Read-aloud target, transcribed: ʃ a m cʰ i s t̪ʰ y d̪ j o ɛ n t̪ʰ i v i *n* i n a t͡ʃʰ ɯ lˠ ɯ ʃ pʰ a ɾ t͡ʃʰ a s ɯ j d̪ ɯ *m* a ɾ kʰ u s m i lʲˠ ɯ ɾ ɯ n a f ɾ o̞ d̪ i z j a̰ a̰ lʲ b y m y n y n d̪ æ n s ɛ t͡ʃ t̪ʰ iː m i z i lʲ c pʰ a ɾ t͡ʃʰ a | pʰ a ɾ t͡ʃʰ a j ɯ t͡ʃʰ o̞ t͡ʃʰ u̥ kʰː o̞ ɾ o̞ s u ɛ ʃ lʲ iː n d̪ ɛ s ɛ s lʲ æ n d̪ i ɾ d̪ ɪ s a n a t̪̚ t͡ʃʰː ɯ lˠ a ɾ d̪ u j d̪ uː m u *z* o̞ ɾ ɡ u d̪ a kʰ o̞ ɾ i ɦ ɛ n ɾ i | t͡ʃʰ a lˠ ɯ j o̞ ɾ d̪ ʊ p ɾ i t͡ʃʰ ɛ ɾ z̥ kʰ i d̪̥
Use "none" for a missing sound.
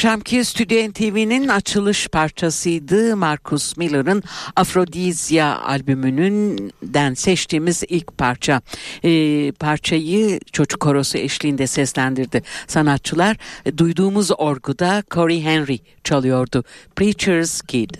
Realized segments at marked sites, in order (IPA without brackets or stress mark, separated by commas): n, m, z